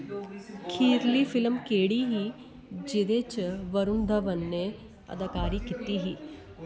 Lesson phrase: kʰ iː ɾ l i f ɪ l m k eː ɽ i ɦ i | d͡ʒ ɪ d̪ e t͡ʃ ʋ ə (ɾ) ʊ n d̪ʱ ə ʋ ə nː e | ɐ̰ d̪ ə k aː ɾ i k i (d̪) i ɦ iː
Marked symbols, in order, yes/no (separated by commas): yes, no